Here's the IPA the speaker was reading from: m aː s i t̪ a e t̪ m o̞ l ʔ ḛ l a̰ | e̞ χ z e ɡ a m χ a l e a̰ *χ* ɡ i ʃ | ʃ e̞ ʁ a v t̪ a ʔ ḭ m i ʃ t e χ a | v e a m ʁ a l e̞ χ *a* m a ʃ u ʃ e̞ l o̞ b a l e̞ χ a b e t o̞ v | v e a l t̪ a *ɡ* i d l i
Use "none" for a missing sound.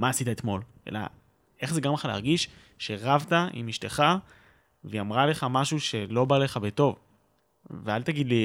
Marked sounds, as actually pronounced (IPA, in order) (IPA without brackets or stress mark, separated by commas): ʁ, a, ɡ